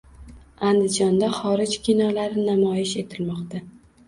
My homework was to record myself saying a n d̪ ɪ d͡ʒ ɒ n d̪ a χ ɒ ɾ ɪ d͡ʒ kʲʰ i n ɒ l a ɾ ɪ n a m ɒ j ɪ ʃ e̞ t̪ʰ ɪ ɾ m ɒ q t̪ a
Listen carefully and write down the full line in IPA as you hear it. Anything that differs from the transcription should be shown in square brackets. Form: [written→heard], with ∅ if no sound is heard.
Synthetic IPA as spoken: a n d̪ ɪ d͡ʒ ɒ n d̪ a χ ɒ ɾ ɪ d͡ʒ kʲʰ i n ɒ l a ɾ ɪ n a m ɒ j ɪ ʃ e̞ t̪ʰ ɪ [ɾ→l] m ɒ q t̪ a